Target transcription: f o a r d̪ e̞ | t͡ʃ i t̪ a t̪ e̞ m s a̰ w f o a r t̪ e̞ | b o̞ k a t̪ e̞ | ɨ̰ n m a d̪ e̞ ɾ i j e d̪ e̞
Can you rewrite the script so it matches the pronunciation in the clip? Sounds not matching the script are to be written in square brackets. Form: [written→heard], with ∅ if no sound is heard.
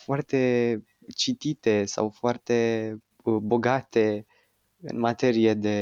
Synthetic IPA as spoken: f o a r [d̪→t̪] e̞ | t͡ʃ i t̪ [a→i] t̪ e̞ [m→∅] s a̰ w f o a r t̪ e̞ | b o̞ [k→ɡ] a t̪ e̞ | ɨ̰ n m a [d̪→t̪] e̞ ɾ i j e d̪ e̞